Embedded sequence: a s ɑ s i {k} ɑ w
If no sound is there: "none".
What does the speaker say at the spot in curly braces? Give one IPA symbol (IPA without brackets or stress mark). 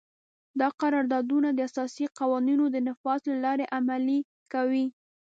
q